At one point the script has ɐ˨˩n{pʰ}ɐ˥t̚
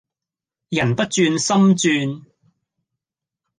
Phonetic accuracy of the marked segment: incorrect: p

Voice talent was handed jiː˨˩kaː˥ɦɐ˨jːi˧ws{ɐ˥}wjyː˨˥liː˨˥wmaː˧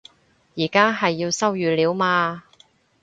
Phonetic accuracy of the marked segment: correct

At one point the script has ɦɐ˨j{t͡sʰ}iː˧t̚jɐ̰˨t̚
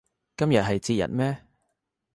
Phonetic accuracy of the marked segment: incorrect: t͡s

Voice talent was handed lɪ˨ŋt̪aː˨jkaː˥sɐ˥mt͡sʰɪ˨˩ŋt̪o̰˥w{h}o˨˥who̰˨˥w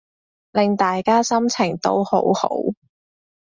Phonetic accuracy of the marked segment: correct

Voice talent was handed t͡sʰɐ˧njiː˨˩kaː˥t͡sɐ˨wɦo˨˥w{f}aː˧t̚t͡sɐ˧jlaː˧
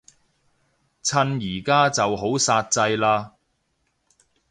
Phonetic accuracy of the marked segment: incorrect: s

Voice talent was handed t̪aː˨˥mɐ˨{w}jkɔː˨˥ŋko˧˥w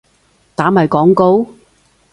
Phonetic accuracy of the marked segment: incorrect: none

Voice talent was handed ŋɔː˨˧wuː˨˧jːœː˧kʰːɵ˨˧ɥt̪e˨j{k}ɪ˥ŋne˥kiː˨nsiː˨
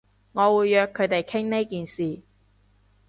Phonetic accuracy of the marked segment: incorrect: kʰ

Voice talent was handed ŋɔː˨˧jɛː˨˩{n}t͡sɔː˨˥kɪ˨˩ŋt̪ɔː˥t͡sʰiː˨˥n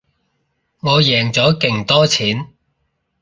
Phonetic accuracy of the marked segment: incorrect: ŋ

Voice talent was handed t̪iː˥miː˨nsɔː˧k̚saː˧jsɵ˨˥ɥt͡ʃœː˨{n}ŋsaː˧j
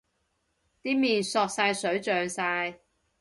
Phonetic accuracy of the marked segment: incorrect: none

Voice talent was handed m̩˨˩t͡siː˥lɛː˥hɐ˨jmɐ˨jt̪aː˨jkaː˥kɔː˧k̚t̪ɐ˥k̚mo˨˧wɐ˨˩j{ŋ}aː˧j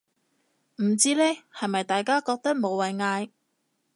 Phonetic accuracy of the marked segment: correct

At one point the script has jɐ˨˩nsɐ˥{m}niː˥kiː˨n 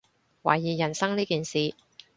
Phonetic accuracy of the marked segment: incorrect: ŋ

